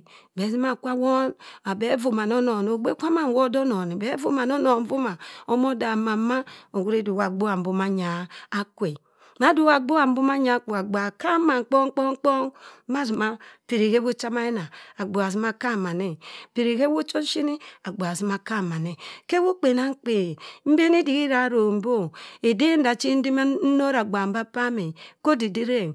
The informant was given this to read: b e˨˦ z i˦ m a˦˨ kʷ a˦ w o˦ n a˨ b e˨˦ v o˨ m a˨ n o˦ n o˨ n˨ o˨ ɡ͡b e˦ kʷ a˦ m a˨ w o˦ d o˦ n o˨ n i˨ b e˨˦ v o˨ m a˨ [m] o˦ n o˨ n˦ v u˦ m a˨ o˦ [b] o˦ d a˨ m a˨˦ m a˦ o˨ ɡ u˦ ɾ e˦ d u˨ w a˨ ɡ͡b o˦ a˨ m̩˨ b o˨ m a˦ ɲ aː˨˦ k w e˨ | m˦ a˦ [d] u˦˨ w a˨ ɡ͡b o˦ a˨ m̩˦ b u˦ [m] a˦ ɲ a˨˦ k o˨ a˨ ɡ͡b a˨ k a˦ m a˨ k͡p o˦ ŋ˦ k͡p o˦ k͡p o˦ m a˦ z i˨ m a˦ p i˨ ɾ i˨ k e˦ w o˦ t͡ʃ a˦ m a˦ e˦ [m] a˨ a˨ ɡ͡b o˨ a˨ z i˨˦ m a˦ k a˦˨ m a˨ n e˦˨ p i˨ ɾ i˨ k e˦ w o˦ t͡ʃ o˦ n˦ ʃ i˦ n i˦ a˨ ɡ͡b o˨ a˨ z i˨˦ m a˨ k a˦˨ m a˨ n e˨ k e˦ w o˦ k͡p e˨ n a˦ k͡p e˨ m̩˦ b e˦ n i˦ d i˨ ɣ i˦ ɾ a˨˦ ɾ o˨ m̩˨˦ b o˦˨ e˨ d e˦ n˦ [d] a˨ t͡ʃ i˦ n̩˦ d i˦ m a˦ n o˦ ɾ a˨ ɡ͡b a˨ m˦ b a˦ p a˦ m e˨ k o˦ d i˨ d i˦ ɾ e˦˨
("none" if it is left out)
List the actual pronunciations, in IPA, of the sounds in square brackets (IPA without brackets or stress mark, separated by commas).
n, m, d, m, n, d